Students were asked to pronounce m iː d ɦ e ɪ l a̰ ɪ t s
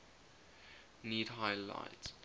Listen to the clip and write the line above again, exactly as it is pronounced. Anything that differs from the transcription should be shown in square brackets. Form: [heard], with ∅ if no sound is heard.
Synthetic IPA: [n] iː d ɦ [a] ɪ l a̰ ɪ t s